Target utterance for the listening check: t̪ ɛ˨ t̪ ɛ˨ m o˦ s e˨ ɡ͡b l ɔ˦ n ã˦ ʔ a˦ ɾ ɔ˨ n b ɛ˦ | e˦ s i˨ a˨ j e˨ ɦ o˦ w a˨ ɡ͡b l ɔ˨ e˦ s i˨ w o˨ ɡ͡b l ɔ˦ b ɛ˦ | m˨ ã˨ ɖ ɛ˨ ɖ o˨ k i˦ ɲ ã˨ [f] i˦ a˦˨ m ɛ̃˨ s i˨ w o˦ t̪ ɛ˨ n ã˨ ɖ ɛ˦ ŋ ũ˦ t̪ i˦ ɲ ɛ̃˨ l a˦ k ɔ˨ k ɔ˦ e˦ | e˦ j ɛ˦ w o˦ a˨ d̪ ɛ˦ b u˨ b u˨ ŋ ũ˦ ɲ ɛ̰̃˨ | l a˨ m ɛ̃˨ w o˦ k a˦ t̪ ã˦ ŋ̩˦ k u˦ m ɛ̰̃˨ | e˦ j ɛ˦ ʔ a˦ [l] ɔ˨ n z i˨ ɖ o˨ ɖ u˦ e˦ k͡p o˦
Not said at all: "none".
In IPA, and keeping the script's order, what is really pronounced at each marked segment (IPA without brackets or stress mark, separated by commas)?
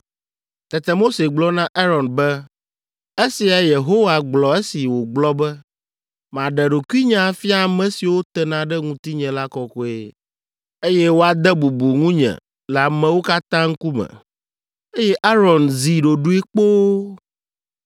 f, ɾ